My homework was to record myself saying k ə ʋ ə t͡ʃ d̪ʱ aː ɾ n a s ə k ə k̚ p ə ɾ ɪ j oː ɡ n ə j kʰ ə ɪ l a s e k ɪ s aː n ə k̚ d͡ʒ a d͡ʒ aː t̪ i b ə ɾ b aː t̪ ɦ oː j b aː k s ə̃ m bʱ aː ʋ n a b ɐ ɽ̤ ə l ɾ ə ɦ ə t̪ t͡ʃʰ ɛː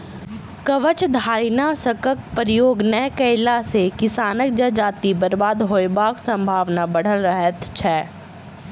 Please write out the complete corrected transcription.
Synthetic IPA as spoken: k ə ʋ ə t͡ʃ d̪ʱ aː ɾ n a s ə k ə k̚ p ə ɾ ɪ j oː ɡ n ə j k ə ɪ l a s e k ɪ s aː n ə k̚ d͡ʒ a d͡ʒ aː t̪ i b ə ɾ b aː d̪ ɦ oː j b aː k s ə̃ m bʱ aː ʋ n a b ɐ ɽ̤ ə l ɾ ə ɦ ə t̪ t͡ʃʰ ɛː